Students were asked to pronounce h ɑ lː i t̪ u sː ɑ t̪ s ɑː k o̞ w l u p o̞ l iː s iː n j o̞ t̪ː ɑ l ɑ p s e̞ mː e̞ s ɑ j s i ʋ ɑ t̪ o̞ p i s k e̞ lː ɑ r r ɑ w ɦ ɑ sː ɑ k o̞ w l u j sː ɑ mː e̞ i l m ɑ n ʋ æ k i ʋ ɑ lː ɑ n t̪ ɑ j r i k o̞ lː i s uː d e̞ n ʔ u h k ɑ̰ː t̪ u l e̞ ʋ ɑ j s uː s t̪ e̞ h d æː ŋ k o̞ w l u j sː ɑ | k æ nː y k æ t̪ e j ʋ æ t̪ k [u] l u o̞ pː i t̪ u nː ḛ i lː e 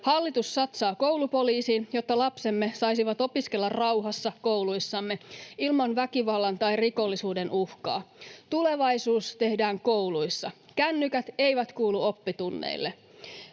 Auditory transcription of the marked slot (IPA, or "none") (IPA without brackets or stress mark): uː